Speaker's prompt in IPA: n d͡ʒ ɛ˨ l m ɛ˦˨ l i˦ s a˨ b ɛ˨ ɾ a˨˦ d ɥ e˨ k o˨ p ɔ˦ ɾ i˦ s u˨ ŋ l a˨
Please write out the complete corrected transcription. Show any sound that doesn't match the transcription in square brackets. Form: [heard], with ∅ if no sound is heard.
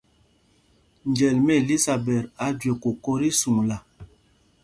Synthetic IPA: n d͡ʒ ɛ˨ l m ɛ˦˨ l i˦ s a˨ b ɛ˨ ɾ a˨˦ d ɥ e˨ k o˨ [k] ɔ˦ ɾ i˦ s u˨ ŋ l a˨